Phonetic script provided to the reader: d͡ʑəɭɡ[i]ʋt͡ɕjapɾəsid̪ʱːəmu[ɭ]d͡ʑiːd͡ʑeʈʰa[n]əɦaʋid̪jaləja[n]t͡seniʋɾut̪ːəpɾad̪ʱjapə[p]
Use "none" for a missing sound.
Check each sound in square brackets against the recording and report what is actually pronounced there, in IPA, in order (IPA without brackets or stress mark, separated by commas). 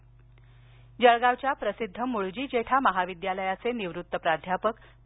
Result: a, ɭ, m, none, k